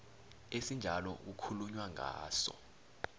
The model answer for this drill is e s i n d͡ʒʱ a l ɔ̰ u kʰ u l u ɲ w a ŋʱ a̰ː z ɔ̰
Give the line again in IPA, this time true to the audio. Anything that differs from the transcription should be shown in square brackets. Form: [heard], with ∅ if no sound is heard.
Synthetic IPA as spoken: e s i n d͡ʒʱ a l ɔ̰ u kʰ u l u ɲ w a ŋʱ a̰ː [s] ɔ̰